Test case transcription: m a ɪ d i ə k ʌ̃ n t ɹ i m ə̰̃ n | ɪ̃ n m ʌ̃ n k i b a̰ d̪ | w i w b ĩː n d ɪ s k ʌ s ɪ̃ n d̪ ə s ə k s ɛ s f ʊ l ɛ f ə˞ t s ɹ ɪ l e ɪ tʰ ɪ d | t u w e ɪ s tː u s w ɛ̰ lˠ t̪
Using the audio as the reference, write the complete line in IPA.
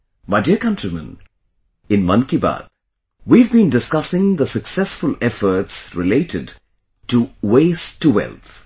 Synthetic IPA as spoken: m a ɪ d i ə k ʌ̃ n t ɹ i m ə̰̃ n | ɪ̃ n m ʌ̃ n k i b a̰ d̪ | w i v b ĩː n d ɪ s k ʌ s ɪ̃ ŋ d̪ ə s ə k s ɛ s f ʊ l ɛ f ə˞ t s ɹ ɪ l e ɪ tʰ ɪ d | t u w e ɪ s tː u w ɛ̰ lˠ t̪